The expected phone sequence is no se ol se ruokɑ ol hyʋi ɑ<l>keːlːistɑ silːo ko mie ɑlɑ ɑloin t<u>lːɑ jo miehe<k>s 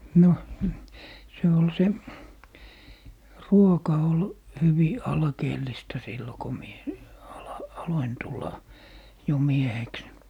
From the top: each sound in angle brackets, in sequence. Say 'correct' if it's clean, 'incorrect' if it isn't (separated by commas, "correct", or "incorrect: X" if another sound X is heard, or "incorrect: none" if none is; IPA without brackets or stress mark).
correct, correct, correct